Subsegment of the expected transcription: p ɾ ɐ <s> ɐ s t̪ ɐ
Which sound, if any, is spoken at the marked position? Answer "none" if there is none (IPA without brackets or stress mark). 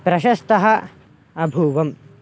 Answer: ʃ